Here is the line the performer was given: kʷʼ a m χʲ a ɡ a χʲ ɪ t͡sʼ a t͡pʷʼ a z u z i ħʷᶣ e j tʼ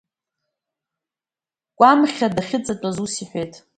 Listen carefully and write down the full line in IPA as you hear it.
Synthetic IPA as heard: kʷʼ a m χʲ a d a χʲ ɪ t͡sʼ a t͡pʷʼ a z u s i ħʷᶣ e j tʼ